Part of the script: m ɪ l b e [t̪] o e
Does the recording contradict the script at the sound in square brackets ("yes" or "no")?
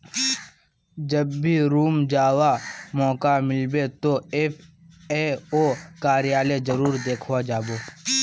no